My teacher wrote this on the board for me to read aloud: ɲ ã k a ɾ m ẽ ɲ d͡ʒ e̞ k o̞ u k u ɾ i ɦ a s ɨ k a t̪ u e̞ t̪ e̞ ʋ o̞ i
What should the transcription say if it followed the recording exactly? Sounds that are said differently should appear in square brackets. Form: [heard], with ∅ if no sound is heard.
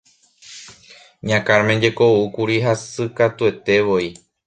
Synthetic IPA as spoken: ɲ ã k a ɾ m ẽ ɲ d͡ʒ e̞ k o̞ u k u ɾ i ɦ a s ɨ k a t̪ u e̞ t̪ e̞ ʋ o̞ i